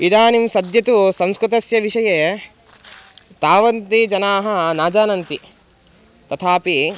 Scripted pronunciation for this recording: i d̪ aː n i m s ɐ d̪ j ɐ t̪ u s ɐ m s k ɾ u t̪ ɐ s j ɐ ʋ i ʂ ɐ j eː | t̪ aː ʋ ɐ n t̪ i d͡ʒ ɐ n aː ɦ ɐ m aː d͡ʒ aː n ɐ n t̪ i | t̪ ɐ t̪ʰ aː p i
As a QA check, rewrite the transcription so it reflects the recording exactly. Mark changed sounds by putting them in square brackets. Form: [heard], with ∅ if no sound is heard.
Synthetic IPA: i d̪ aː n i m s ɐ d̪ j ɐ t̪ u s ɐ m s k ɾ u t̪ ɐ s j ɐ ʋ i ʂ ɐ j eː | t̪ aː ʋ ɐ n t̪ i d͡ʒ ɐ n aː ɦ ɐ [n] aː d͡ʒ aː n ɐ n t̪ i | t̪ ɐ t̪ʰ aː p i